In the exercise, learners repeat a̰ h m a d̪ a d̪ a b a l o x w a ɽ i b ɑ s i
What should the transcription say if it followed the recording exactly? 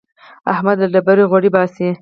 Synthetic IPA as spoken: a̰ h m a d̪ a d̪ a b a ɾ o ɣ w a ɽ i b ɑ s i